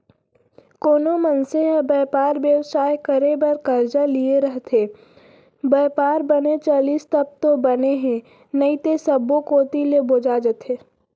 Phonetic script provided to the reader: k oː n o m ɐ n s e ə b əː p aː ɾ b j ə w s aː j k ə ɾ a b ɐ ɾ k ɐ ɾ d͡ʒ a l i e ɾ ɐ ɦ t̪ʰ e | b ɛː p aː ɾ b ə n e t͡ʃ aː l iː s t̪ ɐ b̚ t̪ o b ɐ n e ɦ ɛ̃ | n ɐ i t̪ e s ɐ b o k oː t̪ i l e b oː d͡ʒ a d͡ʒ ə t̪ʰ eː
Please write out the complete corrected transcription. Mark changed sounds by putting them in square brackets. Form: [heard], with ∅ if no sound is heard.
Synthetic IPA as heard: k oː n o m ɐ n s e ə b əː p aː ɾ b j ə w s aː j k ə ɾ [e] b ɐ ɾ k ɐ ɾ d͡ʒ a l i e ɾ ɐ ɦ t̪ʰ e | b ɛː p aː ɾ b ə n e t͡ʃ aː l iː s t̪ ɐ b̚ t̪ o b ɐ n e ɦ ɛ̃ | n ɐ i t̪ e s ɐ b o k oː t̪ i l e b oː d͡ʒ a d͡ʒ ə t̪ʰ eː